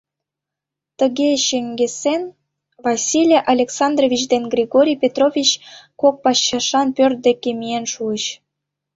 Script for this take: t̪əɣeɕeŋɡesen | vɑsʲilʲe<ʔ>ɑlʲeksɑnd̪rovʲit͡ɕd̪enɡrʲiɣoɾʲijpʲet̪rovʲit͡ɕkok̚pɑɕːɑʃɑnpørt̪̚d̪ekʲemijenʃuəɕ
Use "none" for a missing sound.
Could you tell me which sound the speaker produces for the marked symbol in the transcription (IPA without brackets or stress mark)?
ʔ